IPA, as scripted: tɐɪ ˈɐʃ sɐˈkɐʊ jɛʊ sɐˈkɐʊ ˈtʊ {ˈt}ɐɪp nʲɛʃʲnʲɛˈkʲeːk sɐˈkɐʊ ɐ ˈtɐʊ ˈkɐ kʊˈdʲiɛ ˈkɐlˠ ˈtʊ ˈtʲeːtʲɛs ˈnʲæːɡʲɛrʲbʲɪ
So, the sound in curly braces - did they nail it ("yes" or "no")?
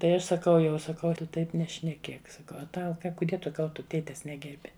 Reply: yes